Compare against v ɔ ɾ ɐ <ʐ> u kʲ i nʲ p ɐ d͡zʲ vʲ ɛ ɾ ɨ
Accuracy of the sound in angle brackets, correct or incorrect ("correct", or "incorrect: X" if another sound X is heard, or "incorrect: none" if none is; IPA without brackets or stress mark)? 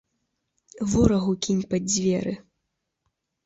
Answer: incorrect: ɣ